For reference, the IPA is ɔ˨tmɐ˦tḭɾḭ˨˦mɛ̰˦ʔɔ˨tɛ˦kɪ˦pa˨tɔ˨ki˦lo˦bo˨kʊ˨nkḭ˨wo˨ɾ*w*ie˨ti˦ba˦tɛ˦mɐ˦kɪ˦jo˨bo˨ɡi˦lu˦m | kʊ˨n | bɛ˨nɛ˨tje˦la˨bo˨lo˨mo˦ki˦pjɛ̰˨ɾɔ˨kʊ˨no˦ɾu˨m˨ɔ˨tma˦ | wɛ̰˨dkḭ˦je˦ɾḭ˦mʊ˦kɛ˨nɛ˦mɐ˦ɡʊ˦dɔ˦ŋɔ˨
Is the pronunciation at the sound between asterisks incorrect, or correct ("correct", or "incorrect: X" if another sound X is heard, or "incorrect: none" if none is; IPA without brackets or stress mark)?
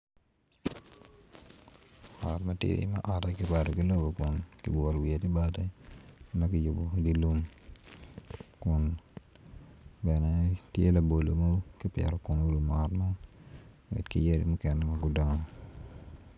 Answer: correct